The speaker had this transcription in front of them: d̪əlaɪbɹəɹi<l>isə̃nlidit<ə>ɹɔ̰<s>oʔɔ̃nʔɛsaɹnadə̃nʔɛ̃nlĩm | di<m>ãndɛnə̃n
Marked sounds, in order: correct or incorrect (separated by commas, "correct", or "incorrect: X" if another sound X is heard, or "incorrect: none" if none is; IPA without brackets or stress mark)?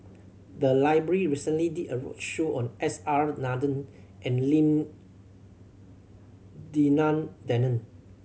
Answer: incorrect: ɹ, correct, incorrect: ʃ, incorrect: n